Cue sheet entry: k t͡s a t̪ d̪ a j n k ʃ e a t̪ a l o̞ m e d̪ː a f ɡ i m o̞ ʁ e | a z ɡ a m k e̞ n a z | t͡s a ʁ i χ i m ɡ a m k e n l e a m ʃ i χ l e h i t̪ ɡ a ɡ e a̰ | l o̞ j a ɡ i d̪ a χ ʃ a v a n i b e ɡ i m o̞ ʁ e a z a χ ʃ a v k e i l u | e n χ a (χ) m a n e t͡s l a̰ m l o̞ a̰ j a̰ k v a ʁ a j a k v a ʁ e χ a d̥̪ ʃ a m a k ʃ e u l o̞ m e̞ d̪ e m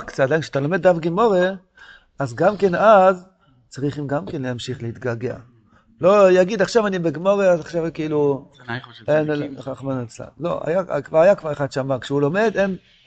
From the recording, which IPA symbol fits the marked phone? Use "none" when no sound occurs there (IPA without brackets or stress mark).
χ